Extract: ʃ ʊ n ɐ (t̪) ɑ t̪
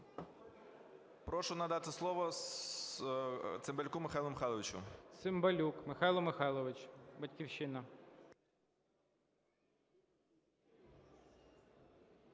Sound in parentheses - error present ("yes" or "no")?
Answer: yes